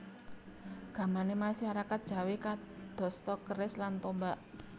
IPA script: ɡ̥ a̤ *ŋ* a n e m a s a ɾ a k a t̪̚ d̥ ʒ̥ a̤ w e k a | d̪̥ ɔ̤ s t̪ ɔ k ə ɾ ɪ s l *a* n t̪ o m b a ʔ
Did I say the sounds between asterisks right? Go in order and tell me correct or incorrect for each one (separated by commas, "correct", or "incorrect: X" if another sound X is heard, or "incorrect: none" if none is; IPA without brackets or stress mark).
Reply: incorrect: m, correct